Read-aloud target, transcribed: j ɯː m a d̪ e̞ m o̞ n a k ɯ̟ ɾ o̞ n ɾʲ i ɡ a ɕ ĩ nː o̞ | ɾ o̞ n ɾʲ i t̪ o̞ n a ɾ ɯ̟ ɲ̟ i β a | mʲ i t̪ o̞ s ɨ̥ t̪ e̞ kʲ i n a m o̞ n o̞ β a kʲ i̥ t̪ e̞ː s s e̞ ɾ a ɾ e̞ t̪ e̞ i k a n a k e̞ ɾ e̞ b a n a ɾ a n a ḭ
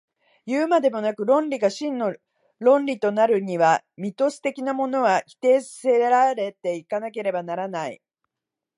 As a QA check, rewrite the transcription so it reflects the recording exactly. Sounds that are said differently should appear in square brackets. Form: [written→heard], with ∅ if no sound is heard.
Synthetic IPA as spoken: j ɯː m a d̪ e̞ m o̞ n a k ɯ̟ ɾ [o̞→õ̞] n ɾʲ i ɡ a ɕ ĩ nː o̞ | ɾ [o̞→õ̞] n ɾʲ i t̪ o̞ n a ɾ ɯ̟ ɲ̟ i β a | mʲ i t̪ o̞ s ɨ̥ t̪ e̞ kʲ i n a m o̞ n o̞ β a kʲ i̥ t̪ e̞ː s s e̞ ɾ a ɾ e̞ t̪ e̞ i k a n a k e̞ ɾ e̞ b a n a ɾ a n a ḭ